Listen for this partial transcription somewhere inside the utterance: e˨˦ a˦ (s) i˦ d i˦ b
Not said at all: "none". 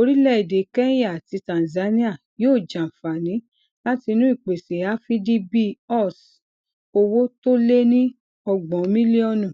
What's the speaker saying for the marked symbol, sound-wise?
f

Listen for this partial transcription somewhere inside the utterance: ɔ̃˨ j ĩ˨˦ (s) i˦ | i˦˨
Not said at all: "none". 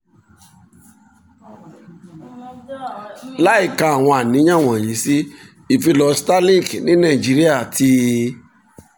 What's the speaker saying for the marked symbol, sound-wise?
s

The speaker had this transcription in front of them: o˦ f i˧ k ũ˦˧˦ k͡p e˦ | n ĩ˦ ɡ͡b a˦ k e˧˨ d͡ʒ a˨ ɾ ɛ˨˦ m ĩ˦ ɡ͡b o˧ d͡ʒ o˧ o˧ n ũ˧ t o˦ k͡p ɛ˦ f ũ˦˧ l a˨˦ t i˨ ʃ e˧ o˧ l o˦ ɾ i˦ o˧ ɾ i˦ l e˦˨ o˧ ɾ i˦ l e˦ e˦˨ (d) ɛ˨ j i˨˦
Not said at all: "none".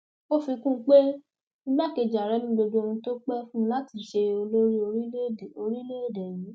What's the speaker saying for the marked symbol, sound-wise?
d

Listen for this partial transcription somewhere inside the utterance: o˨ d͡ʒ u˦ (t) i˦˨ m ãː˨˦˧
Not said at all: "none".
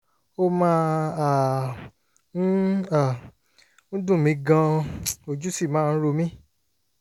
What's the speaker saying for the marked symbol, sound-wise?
s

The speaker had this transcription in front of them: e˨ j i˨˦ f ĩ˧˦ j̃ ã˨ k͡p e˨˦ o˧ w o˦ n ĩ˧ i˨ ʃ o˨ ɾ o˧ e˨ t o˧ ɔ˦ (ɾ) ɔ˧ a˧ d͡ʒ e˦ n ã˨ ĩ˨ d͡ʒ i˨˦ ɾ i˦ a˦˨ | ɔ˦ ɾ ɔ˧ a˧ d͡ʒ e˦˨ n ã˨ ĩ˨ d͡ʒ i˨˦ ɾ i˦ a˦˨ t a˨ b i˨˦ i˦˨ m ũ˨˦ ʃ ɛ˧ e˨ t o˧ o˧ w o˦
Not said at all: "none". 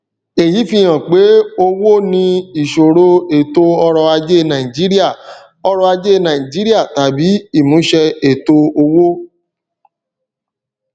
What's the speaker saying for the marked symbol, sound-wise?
ɾ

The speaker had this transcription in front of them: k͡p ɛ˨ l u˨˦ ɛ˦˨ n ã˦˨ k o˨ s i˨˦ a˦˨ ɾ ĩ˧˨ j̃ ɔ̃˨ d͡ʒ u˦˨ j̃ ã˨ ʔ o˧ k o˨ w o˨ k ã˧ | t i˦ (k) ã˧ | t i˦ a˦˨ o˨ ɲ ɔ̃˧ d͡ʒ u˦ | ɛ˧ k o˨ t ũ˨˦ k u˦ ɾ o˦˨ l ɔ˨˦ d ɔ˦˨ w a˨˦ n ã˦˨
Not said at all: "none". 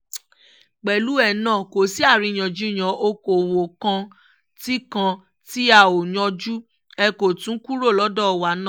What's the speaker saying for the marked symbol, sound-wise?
k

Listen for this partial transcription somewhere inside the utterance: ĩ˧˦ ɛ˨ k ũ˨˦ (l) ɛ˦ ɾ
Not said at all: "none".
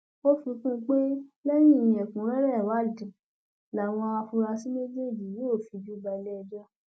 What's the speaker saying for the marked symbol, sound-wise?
ɾ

